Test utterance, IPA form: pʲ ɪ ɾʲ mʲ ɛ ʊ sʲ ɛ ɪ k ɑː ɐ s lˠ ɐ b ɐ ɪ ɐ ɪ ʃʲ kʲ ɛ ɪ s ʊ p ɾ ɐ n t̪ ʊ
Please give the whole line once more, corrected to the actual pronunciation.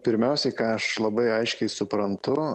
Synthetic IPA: pʲ ɪ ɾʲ mʲ ɛ ʊ sʲ ɛ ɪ k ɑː ɐ ʃ lˠ ɐ b ɐ ɪ ɐ ɪ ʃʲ kʲ ɛ ɪ s ʊ p ɾ ɐ n t̪ ʊ